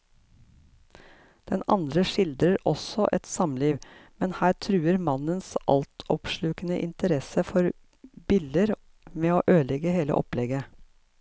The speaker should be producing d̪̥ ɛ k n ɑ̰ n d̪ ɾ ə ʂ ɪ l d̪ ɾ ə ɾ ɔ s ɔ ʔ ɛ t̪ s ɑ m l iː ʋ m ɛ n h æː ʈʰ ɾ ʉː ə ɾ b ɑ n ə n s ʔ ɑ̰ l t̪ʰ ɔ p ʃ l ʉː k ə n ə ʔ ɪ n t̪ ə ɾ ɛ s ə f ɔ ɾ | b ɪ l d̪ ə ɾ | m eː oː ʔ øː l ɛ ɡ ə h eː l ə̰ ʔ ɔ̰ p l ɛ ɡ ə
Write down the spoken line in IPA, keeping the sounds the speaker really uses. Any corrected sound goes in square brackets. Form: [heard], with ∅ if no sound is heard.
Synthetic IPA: d̪̥ ɛ [∅] n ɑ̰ n d̪ ɾ ə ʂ ɪ l d̪ ɾ ə ɾ ɔ s ɔ ʔ ɛ t̪ s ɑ m l iː ʋ m ɛ n h æː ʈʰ ɾ ʉː ə ɾ [m] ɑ n ə n s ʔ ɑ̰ l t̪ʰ ɔ p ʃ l ʉː k ə n ə ʔ ɪ n t̪ ə ɾ ɛ s ə f ɔ ɾ | b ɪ l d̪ ə ɾ | m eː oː ʔ øː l ɛ ɡ ə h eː l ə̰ ʔ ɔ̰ p l ɛ ɡ ə